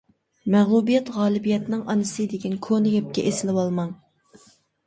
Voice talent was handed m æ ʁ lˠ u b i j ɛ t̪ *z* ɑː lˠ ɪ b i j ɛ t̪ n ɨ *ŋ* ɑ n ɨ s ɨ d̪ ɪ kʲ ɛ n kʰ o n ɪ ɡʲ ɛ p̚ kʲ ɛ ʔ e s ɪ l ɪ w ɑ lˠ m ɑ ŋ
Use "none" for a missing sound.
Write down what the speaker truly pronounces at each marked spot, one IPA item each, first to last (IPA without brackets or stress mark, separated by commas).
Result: ʁ, ŋ